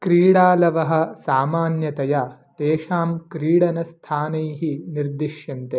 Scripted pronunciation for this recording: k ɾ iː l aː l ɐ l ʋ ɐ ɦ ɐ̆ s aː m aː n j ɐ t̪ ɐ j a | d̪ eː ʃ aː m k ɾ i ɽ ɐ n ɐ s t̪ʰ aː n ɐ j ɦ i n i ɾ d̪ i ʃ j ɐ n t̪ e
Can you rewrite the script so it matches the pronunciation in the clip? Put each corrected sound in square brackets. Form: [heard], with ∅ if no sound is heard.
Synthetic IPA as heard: k ɾ iː [ɽ] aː l ɐ [∅] ʋ ɐ ɦ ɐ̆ s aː m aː n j ɐ t̪ ɐ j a | [t̪] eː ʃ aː m k ɾ [iː] ɽ ɐ n ɐ s t̪ʰ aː n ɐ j ɦ i n i ɾ d̪ i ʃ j ɐ n t̪ e